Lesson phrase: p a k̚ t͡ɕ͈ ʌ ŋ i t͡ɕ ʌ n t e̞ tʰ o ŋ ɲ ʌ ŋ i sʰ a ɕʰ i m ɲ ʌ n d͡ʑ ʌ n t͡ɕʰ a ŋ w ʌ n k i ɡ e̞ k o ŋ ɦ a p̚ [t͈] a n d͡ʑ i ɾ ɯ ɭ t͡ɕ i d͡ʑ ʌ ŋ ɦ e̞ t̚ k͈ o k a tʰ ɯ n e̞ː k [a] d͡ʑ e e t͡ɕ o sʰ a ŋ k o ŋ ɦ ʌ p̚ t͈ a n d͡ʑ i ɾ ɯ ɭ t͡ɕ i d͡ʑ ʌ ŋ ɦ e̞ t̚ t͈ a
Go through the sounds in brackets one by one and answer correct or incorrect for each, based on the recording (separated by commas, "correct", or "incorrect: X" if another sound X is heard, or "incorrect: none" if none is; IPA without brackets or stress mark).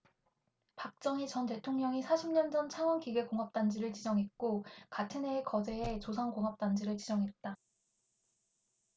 correct, incorrect: ʌ